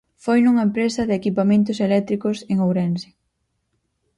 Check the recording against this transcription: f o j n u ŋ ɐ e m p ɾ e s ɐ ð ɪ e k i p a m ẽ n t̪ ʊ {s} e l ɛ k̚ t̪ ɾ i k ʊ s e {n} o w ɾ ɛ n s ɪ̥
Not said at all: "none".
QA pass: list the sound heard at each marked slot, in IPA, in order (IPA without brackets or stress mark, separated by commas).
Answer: s, ŋ